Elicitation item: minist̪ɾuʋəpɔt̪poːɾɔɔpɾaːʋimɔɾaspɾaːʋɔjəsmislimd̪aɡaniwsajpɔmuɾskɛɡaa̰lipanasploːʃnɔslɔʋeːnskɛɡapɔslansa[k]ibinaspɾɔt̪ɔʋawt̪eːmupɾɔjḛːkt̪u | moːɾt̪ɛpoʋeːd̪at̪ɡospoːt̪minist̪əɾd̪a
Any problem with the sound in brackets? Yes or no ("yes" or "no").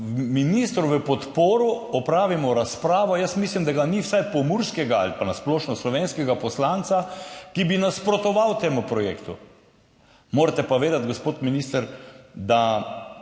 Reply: no